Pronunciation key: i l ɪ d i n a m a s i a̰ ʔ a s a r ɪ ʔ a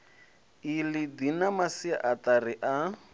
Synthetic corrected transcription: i l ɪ d i n a m a s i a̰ ʔ a t a r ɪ ʔ a